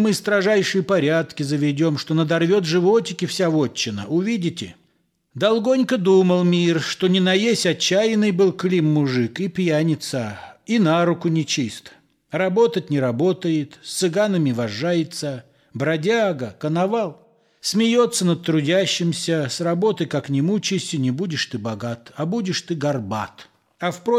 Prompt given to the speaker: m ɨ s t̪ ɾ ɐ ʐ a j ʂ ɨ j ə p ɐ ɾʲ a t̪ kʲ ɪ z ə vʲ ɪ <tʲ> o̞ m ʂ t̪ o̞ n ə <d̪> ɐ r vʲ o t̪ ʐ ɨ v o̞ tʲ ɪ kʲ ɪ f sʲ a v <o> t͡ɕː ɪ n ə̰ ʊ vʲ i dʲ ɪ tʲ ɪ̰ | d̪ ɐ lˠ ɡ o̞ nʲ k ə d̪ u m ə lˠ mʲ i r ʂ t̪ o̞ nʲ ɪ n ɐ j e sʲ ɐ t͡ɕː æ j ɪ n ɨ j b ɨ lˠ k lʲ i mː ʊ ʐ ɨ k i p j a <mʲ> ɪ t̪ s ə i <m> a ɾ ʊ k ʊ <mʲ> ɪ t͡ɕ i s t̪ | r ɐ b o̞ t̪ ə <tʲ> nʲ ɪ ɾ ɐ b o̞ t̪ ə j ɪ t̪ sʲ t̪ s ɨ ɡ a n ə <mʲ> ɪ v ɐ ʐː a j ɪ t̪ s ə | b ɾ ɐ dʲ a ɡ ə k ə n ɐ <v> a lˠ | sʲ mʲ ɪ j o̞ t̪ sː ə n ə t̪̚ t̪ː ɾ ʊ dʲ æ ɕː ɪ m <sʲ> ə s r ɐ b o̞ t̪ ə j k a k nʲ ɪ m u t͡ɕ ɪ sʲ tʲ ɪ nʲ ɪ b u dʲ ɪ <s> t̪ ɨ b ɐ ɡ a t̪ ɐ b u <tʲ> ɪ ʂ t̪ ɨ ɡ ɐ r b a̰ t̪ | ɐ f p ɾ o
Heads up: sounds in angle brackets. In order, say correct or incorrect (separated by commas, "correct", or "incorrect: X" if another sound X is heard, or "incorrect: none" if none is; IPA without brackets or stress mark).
incorrect: dʲ, correct, correct, incorrect: nʲ, incorrect: n, incorrect: nʲ, correct, correct, correct, correct, incorrect: ʂ, incorrect: dʲ